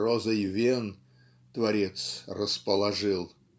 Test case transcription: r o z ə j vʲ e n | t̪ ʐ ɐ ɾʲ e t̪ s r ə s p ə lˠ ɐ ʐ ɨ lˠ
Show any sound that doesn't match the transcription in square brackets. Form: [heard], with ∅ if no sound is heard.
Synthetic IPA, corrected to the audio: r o z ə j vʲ e n | t̪ [v] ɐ ɾʲ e t̪ s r ə s p ə lˠ ɐ ʐ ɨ lˠ